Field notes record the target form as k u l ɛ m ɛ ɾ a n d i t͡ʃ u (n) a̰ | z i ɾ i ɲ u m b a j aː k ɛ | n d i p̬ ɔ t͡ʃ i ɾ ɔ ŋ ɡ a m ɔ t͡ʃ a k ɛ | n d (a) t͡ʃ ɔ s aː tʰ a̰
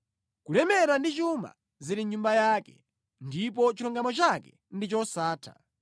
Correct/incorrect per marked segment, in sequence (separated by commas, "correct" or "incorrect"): incorrect, incorrect